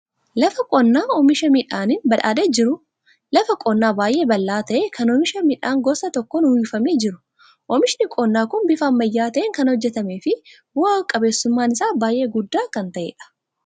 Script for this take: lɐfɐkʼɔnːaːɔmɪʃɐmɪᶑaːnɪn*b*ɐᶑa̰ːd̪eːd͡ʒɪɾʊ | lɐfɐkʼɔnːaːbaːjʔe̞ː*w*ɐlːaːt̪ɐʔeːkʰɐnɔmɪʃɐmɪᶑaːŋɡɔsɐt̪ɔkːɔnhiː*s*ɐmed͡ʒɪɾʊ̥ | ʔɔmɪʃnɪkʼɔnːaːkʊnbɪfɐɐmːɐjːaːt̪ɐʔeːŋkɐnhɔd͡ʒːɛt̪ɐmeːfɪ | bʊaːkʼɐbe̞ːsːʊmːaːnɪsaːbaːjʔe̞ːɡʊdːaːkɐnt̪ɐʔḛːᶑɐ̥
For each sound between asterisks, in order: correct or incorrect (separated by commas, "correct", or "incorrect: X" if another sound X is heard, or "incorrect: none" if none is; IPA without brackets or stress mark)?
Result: correct, incorrect: b, incorrect: f